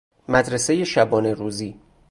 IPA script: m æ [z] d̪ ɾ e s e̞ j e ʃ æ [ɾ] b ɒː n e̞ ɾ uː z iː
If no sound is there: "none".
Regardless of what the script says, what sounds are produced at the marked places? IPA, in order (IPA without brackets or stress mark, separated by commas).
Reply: none, none